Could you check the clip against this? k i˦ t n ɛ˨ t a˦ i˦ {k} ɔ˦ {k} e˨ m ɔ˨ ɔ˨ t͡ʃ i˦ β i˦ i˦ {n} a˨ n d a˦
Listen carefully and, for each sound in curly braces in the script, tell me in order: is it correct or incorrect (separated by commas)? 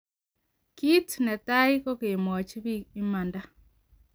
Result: correct, correct, incorrect